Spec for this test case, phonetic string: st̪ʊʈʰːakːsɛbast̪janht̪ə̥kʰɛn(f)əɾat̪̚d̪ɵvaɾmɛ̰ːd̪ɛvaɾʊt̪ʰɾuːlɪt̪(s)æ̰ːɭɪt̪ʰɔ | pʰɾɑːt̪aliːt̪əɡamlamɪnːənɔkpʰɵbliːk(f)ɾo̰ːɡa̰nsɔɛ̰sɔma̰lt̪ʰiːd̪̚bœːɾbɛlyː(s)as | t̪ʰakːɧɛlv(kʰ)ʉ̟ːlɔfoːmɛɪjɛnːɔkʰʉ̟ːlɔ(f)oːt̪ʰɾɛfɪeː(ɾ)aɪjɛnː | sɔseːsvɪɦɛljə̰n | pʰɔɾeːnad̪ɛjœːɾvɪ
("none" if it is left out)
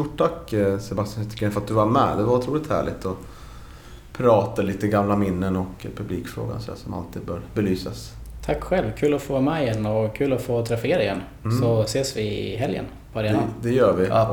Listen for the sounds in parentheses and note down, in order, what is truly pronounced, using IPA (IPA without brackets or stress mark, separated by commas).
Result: f, h, f, s, kʰ, f, ɾ